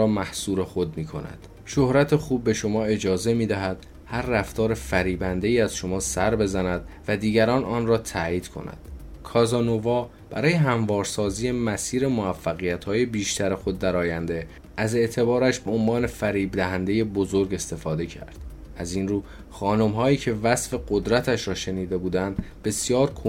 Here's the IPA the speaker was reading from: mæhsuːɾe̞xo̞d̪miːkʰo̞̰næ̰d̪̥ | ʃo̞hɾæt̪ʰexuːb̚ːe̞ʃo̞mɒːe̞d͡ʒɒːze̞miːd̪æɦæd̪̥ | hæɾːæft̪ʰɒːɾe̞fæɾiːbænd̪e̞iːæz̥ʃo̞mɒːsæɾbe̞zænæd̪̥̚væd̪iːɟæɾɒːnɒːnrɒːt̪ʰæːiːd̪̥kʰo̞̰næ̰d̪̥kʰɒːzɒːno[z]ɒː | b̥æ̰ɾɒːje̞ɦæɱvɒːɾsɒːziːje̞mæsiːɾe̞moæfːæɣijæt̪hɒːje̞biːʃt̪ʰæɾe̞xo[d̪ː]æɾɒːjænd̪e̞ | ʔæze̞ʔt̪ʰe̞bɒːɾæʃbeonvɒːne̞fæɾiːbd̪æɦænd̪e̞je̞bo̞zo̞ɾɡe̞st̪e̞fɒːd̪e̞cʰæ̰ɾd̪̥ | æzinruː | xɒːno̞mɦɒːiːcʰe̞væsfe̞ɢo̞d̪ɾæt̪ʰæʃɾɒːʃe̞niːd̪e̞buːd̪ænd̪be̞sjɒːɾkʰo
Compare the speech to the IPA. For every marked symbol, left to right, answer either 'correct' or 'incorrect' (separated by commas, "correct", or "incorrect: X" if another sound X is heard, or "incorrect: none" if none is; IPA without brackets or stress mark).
incorrect: v, correct